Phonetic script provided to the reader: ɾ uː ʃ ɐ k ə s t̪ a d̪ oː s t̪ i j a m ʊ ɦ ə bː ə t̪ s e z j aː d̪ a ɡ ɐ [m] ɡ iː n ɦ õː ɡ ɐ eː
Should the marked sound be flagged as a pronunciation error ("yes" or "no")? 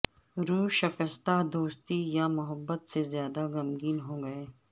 no